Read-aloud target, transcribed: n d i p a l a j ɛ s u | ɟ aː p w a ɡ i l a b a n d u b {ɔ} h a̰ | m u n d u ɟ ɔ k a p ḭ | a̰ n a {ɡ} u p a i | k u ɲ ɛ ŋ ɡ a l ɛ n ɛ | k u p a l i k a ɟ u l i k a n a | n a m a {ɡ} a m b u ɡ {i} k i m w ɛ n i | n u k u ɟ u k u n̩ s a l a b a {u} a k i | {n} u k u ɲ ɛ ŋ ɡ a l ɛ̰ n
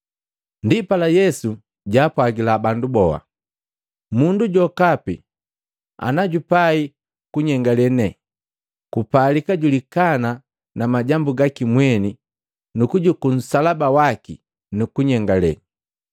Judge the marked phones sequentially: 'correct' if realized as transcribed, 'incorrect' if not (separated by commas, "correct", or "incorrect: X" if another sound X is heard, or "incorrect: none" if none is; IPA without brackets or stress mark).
correct, incorrect: ɟ, incorrect: ɟ, incorrect: a, incorrect: w, correct